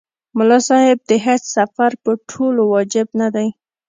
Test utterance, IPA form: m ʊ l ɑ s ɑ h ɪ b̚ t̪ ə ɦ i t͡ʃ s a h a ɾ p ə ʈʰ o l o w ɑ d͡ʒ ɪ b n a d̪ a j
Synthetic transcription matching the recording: m ʊ l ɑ s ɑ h ɪ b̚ d̪ ə ɦ e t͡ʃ s a f a ɾ p ə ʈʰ o l o w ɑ d͡ʒ ɪ b n a d̪ a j